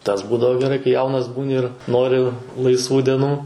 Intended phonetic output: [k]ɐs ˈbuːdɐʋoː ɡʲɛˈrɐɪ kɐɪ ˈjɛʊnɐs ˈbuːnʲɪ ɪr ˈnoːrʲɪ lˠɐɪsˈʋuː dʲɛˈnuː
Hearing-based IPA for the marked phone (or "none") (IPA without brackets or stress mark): t